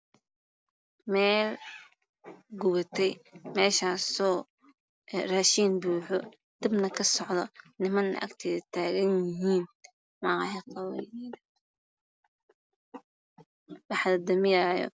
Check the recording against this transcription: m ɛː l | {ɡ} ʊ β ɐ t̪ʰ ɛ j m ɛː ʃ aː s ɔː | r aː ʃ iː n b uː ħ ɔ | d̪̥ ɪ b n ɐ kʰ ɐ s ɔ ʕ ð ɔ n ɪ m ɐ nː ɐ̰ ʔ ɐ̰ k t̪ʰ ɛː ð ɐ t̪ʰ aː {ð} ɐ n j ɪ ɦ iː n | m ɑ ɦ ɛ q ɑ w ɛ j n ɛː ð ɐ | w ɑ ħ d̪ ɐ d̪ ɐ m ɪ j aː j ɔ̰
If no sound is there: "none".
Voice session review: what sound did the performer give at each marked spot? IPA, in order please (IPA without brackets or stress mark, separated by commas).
ɡ, ɣ